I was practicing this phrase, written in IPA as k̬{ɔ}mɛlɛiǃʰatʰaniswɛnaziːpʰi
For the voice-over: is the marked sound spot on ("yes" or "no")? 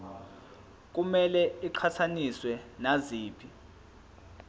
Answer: no